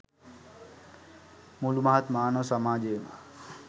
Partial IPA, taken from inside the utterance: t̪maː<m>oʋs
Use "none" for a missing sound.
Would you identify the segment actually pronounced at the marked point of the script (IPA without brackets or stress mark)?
n